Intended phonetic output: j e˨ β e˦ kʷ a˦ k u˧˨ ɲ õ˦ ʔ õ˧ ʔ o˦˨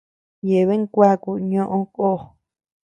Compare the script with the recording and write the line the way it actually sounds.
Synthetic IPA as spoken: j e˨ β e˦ kʷ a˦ k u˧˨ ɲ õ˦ ʔ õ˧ k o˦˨